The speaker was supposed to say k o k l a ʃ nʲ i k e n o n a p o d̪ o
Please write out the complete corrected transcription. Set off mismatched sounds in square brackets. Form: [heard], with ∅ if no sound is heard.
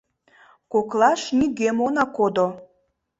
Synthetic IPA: k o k l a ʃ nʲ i [ɡ] e [m] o n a [k] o d̪ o